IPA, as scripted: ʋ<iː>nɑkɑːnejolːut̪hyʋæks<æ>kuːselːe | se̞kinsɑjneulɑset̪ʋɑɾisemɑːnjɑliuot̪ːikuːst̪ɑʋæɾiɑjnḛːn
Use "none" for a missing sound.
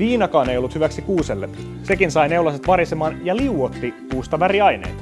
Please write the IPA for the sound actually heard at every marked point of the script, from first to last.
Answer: iː, i

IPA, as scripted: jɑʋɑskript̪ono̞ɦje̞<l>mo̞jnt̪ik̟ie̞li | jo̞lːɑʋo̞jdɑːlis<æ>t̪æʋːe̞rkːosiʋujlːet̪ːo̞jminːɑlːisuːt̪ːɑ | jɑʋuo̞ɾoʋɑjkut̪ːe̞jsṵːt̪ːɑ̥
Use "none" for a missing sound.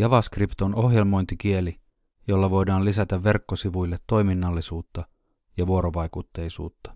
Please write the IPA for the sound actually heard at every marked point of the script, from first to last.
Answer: l, æ

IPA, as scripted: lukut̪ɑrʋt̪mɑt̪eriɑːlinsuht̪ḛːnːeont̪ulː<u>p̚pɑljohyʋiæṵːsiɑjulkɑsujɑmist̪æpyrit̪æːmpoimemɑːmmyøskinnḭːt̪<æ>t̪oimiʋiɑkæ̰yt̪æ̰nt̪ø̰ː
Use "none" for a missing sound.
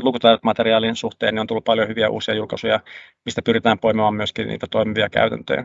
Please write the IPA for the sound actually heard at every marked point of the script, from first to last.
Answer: u, æ

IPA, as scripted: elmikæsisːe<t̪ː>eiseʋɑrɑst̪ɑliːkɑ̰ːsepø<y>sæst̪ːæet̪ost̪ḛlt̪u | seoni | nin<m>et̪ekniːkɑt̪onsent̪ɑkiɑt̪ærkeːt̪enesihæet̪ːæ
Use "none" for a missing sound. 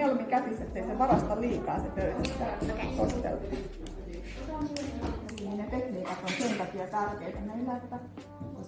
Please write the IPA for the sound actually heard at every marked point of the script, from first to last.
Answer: t̪ː, y, n

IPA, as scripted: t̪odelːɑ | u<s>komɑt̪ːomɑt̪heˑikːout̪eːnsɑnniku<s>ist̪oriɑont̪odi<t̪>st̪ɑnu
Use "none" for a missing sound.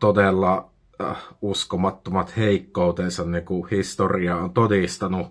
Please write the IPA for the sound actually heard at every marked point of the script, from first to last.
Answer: s, h, none

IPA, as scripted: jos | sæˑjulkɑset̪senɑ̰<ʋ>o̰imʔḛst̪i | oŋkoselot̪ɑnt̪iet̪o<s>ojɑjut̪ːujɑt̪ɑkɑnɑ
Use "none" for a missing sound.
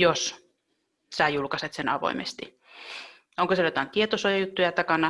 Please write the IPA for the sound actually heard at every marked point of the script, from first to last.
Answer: ʋ, s

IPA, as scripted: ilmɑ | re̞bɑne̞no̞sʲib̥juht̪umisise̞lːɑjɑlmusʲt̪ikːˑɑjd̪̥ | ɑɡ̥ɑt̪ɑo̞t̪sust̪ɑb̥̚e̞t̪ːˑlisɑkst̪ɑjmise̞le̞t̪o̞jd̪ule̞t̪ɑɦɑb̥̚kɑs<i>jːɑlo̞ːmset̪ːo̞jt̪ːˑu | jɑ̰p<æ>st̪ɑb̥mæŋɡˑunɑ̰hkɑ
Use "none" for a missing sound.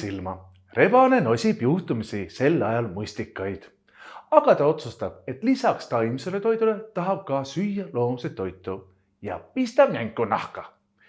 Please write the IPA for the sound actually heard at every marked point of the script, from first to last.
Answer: y, i

